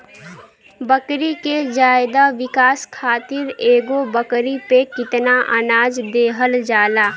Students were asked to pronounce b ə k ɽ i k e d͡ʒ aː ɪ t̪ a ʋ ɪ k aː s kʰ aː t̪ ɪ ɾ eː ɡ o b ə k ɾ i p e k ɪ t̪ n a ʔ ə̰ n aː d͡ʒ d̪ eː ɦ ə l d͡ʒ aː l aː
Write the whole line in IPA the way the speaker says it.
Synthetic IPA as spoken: b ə k ɾ i k e d͡ʒ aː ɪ d̪ a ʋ ɪ k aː s kʰ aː t̪ ɪ ɾ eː ɡ o b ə k ɾ i p e k ɪ t̪ n a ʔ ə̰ n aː d͡ʒ d̪ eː ɦ ə l d͡ʒ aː l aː